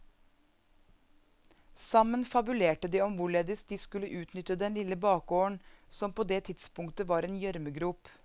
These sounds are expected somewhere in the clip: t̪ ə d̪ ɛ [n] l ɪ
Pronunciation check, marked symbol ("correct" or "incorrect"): correct